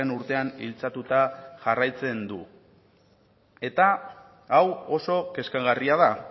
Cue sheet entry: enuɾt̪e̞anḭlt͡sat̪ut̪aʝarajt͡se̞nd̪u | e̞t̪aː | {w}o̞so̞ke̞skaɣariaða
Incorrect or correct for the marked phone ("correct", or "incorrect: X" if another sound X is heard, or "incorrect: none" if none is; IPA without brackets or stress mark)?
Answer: correct